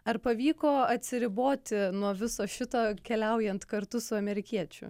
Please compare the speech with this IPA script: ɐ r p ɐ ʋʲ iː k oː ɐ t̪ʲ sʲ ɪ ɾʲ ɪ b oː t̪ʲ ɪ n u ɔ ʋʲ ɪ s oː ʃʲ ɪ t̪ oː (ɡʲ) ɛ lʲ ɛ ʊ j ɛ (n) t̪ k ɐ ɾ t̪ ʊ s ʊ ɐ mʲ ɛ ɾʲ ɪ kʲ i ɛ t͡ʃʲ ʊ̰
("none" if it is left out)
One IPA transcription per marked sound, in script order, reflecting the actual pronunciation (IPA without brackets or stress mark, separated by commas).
kʲ, n